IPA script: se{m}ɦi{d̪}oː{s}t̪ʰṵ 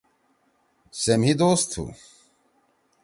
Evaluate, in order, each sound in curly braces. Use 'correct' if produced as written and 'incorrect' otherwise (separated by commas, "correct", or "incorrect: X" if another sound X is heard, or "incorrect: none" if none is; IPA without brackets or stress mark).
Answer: correct, correct, correct